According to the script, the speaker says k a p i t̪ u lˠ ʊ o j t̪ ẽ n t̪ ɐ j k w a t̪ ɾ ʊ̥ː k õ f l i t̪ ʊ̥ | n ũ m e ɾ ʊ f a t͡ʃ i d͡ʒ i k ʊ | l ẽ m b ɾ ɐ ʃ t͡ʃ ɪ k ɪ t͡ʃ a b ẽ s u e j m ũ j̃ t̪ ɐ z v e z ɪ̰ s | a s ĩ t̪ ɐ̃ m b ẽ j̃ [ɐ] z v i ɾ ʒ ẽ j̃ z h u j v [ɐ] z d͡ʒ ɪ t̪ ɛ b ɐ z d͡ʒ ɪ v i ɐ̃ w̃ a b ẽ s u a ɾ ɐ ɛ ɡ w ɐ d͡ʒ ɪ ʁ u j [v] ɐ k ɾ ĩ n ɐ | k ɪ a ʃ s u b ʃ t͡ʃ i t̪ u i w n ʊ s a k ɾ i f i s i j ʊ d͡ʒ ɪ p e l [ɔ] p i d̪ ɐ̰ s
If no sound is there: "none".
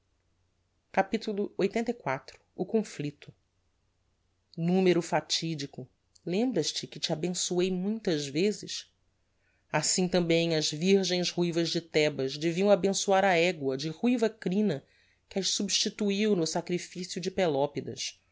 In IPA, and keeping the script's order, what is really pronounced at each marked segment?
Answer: ɐ, ɐ, v, ɔ

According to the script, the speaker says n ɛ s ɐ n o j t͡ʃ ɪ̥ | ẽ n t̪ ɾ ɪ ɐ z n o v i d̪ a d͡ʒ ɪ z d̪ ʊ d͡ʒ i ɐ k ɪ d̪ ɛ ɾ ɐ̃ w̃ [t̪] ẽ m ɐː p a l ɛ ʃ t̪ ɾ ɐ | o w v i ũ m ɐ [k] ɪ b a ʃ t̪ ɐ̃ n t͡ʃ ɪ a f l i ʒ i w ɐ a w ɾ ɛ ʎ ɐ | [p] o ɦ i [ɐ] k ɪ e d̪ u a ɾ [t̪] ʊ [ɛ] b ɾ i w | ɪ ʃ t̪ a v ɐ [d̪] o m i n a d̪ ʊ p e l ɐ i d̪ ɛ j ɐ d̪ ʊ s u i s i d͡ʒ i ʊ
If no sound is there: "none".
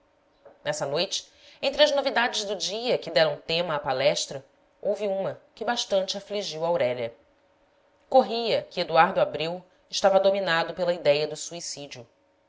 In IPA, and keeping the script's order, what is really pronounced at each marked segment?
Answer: t̪, k, k, ɐ, d̪, a, d̪

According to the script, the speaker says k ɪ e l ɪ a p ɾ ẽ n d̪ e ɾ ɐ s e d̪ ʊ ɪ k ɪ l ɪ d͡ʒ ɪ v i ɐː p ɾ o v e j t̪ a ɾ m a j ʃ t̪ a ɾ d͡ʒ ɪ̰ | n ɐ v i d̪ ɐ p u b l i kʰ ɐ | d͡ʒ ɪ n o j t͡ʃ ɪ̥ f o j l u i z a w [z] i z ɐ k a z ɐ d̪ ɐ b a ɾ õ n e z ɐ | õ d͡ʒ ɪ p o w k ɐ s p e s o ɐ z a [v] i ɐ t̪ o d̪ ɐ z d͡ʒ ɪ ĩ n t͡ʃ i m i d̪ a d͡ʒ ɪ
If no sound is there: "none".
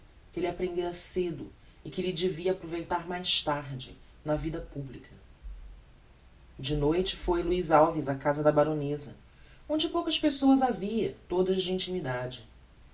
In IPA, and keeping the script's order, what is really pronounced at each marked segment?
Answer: v, v

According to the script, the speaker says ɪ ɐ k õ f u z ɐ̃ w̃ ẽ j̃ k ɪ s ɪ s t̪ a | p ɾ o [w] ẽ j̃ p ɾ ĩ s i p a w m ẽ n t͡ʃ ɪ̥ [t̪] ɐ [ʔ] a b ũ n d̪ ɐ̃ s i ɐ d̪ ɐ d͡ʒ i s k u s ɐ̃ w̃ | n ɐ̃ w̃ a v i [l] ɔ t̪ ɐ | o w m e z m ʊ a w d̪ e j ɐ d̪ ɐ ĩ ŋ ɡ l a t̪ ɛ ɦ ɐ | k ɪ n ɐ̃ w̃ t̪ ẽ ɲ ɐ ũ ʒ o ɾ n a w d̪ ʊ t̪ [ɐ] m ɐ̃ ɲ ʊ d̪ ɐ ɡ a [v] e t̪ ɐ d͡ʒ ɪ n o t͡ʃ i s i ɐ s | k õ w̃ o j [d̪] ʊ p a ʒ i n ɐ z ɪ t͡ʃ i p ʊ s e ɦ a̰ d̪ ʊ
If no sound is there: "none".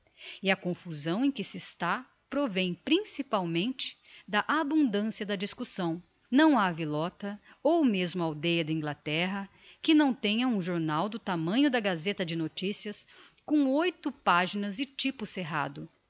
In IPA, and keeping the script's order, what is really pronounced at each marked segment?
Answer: v, d̪, ʔ, l, a, z, t̪

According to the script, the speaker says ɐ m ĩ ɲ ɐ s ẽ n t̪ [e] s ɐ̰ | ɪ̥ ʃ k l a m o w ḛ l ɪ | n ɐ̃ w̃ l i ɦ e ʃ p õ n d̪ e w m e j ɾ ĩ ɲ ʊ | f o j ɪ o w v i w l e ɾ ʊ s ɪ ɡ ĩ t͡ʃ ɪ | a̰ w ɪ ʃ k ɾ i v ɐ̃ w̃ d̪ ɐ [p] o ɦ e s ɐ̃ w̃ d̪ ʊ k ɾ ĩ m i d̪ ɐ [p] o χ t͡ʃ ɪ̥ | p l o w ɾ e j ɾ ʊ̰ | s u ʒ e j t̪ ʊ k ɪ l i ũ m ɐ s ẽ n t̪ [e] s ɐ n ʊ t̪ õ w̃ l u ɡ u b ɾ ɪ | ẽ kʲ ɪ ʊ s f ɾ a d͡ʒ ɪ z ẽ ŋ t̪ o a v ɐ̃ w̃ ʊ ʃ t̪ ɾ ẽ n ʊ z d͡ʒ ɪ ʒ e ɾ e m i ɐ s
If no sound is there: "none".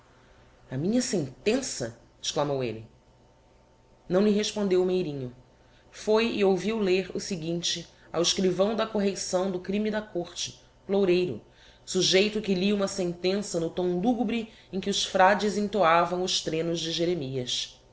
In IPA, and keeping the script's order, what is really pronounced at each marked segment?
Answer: ẽ, k, k, ẽ

